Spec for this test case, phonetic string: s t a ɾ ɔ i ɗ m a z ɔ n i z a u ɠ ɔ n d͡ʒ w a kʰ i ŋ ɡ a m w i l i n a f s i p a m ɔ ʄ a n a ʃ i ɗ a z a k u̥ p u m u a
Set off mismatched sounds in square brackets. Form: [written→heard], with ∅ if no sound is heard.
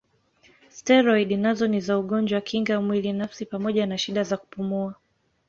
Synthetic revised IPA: s t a ɾ ɔ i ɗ [m→n] a z ɔ n i z a u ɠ ɔ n d͡ʒ w a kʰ i ŋ ɡ a m w i l i n a f s i p a m ɔ ʄ a n a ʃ i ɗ a z a k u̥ p u m u a